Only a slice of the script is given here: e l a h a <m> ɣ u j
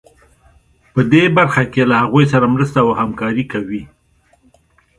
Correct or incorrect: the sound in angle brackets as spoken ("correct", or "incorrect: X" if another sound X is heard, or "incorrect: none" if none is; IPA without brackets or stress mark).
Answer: incorrect: none